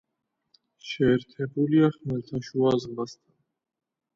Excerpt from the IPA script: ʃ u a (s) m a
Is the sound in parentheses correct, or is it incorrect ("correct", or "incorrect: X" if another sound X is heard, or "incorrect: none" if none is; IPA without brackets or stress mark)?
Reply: incorrect: z